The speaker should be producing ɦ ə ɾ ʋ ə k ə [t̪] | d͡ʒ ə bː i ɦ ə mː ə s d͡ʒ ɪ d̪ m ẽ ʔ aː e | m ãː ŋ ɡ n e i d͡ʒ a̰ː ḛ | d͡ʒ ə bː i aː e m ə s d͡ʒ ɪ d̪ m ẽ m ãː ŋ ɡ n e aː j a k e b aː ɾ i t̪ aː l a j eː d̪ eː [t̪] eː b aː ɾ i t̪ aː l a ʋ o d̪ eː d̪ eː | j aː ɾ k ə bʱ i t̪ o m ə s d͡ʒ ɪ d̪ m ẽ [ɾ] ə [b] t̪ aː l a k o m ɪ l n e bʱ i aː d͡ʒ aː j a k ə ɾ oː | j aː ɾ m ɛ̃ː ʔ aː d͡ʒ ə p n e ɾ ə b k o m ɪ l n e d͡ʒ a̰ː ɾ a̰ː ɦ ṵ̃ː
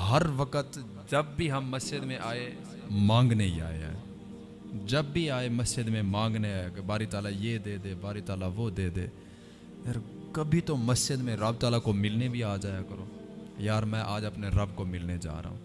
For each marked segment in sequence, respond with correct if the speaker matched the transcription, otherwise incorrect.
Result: correct, incorrect: d̪, correct, correct

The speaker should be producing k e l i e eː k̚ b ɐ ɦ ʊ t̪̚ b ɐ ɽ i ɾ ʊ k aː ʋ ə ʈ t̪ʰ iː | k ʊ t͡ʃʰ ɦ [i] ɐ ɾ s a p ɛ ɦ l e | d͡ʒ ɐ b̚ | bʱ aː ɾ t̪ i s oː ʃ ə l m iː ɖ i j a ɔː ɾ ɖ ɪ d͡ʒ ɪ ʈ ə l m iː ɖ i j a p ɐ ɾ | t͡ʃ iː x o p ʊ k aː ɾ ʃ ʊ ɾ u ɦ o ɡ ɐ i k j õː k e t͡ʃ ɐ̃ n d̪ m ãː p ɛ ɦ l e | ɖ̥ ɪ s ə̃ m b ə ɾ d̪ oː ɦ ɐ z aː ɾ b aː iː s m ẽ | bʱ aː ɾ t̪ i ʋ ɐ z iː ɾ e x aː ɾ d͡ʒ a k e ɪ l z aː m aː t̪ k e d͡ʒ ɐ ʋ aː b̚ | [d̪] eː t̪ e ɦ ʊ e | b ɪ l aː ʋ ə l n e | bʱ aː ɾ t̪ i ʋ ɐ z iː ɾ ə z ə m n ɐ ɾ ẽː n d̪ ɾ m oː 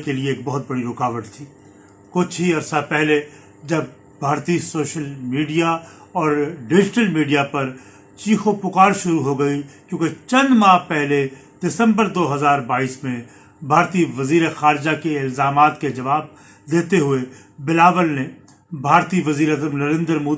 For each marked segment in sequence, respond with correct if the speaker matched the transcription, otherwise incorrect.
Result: correct, correct

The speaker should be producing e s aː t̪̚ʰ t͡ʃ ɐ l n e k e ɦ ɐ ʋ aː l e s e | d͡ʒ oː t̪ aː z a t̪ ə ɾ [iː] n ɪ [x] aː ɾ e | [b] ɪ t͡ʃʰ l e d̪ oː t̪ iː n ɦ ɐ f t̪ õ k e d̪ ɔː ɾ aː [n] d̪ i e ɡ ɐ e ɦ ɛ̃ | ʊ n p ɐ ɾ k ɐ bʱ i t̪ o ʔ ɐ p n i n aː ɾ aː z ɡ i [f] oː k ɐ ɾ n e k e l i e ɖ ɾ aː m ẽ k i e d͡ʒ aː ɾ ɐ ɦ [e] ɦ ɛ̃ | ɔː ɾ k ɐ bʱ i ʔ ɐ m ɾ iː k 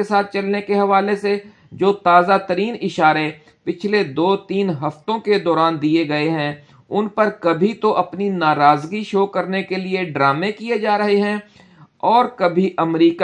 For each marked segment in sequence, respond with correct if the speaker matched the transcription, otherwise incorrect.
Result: correct, incorrect: ʃ, incorrect: p, correct, incorrect: ʃ, correct

